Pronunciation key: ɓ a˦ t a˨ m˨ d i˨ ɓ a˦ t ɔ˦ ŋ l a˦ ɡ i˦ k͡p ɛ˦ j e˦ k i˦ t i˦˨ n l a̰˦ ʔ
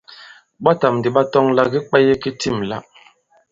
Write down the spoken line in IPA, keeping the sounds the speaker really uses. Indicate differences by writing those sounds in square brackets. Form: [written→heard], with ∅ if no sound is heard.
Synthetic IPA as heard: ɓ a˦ t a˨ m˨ d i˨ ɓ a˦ t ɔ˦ ŋ l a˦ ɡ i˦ k͡p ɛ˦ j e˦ k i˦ t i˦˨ [n→m] l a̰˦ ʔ

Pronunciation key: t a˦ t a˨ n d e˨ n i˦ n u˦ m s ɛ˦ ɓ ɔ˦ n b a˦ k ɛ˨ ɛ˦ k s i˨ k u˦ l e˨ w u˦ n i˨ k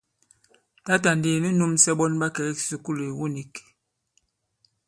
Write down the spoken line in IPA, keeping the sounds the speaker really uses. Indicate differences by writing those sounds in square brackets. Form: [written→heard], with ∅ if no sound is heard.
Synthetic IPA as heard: t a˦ t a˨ n d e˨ n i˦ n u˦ m s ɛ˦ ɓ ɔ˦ n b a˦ k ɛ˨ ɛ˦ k s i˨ k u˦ l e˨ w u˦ n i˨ k

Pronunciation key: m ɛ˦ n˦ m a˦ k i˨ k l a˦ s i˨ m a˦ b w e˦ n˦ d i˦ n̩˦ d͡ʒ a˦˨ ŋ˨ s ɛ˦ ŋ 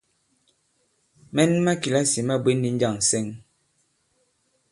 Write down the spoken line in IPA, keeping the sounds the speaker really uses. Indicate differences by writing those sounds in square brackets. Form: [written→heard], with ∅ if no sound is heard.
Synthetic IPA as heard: m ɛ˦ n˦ m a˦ k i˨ [k→∅] l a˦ s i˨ m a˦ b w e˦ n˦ d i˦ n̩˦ d͡ʒ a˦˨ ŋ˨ s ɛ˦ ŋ

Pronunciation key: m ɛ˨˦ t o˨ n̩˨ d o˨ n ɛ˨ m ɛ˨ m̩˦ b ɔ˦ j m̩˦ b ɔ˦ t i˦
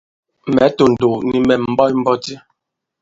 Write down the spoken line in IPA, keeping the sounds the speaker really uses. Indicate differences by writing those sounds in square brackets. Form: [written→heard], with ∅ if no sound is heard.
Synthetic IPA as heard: m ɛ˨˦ t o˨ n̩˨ d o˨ n [ɛ˨→i˨] m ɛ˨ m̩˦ b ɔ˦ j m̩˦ b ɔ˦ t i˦

